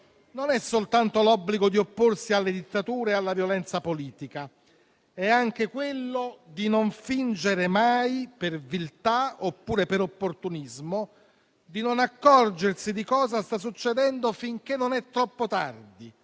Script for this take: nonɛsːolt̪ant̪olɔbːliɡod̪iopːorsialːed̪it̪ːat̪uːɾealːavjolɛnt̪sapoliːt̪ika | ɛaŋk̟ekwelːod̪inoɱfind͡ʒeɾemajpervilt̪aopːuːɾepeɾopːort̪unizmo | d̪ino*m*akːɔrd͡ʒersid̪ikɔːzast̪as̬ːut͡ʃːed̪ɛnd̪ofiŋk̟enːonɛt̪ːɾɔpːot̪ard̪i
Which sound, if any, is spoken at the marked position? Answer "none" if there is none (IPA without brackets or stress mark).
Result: n